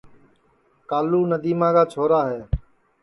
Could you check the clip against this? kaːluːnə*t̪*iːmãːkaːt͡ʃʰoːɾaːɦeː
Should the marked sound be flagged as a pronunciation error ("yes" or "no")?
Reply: yes